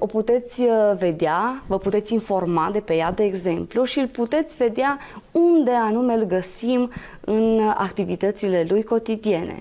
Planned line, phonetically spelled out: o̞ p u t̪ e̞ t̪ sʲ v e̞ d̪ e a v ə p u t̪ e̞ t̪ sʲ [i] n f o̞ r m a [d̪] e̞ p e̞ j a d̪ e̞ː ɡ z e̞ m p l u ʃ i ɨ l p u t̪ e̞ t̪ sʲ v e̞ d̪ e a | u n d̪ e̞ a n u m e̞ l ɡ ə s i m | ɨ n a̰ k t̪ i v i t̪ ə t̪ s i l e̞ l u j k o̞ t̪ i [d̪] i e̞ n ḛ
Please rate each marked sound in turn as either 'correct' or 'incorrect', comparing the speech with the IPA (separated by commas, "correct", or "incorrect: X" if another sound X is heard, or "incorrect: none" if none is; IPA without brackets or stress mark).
correct, correct, correct